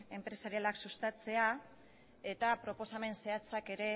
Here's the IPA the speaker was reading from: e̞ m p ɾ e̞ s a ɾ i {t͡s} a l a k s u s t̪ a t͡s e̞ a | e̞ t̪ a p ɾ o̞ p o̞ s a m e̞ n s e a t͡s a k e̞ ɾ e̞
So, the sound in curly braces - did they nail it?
no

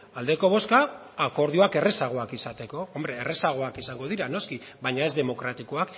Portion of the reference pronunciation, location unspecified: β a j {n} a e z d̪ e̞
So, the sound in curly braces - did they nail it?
no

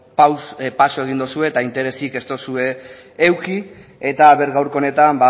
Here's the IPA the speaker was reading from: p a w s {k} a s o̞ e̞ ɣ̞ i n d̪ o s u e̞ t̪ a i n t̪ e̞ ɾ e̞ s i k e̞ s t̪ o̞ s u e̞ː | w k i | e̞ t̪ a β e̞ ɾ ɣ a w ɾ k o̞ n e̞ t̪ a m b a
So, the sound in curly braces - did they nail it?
no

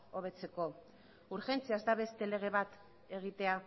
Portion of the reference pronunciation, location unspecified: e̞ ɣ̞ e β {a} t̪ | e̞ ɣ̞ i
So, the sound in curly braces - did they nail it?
yes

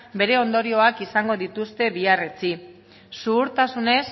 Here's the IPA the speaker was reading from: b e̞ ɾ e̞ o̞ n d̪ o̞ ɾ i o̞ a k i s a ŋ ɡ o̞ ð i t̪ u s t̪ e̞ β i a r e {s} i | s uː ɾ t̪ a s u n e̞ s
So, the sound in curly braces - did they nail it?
no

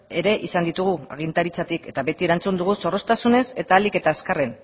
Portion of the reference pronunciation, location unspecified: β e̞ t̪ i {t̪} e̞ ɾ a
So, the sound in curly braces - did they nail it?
no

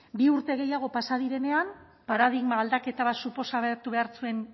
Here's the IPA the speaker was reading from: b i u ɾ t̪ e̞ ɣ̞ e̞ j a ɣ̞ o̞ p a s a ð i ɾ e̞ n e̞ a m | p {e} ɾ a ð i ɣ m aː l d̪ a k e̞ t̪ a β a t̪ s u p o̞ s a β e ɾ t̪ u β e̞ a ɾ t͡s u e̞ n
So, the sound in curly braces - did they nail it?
no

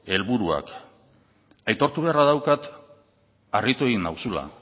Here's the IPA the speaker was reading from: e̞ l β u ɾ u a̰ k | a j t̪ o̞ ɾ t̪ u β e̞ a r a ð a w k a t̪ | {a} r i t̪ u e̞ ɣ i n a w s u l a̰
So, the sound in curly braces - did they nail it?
yes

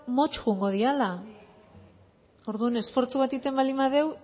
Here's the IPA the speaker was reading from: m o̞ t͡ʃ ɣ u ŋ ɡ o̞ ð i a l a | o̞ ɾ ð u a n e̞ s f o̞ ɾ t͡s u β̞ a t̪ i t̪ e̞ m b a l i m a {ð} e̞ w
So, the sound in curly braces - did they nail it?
yes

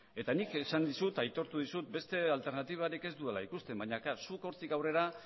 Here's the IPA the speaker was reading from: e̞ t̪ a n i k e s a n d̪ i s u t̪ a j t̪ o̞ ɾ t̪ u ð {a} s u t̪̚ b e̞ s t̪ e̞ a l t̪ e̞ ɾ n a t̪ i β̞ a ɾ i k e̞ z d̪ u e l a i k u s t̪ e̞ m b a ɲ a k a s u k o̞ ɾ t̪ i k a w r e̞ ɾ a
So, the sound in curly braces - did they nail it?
no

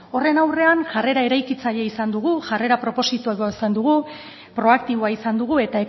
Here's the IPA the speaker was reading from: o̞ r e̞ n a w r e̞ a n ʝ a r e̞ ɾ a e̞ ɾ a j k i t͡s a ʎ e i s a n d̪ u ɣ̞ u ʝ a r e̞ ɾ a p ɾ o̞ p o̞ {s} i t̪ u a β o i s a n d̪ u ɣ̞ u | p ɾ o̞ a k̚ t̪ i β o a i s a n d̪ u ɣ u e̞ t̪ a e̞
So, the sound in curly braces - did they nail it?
yes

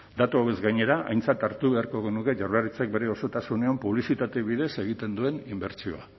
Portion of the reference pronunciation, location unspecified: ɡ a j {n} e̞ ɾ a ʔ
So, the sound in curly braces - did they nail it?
no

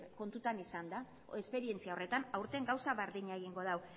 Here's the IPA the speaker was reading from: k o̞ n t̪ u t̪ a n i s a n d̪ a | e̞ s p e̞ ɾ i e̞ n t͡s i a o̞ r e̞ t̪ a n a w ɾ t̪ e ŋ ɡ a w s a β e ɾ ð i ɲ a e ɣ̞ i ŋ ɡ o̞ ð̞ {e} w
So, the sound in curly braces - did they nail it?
no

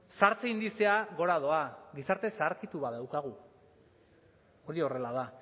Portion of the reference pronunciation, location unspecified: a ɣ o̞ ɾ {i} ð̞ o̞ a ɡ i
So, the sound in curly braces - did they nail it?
no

